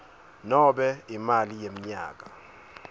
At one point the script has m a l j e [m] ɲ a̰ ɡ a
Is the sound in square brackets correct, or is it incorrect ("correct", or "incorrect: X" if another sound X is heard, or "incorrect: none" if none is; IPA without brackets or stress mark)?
correct